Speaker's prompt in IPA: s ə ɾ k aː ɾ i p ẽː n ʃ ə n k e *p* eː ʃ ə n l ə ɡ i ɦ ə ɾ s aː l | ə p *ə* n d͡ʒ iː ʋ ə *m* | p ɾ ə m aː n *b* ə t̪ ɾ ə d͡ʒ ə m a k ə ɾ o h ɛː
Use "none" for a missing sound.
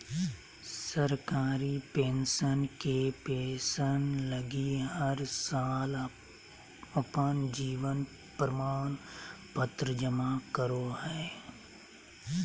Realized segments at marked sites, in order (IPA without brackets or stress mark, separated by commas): p, ə, n, p